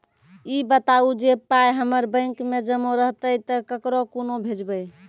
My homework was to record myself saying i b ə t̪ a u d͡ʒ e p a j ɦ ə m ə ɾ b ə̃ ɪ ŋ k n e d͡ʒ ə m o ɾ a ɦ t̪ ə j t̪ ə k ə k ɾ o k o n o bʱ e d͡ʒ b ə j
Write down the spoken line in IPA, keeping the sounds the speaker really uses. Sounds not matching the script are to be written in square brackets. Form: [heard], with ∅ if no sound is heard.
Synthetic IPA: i b ə t̪ a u d͡ʒ e p a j ɦ ə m ə ɾ b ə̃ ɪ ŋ k [m] e d͡ʒ ə m o ɾ [ə] ɦ t̪ ə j t̪ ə k ə k ɾ o k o n o bʱ e d͡ʒ b ə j